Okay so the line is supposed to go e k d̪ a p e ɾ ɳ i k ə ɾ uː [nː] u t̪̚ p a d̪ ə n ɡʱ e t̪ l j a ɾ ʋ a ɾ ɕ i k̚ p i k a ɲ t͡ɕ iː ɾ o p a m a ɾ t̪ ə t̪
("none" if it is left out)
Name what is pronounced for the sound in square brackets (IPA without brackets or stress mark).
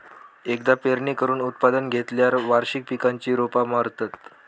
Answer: n